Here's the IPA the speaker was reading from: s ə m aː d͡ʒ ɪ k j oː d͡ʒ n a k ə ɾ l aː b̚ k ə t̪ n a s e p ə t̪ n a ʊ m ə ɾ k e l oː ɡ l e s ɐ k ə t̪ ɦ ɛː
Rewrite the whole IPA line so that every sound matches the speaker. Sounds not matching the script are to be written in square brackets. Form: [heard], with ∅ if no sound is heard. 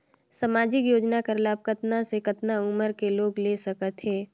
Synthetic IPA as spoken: s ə m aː d͡ʒ ɪ k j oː d͡ʒ n a k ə ɾ l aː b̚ k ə t̪ n a s e [k] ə t̪ n a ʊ m ə ɾ k e l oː ɡ l e s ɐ k ə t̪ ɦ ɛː